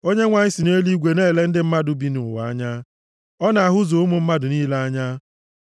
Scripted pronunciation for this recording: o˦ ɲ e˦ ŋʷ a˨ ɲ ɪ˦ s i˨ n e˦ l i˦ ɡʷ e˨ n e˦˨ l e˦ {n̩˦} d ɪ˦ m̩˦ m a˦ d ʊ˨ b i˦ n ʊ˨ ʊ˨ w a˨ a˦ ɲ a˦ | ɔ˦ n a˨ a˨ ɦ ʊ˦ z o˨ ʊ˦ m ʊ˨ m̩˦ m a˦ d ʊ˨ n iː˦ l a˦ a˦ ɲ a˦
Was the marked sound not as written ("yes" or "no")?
no